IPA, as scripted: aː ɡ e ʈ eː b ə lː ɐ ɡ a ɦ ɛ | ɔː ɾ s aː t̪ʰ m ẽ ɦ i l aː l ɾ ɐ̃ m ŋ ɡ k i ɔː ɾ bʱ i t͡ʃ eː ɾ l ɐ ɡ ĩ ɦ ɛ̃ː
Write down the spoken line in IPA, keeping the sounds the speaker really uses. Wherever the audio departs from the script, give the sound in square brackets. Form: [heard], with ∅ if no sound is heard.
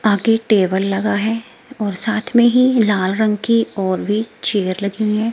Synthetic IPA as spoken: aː ɡ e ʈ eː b ə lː ɐ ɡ a ɦ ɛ | ɔː ɾ s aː t̪ʰ m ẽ ɦ i l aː l ɾ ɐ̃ [∅] ŋ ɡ k i ɔː ɾ bʱ i t͡ʃ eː ɾ l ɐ ɡ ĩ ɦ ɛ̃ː